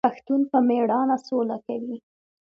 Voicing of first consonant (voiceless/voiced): voiceless